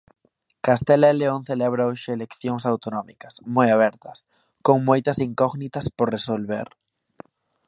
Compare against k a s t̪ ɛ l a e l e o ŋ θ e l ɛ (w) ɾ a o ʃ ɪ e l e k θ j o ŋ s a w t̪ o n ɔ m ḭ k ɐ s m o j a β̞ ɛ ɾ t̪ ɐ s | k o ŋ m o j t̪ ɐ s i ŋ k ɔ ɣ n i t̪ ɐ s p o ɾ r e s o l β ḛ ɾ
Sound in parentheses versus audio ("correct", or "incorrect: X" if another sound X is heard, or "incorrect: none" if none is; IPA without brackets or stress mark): incorrect: β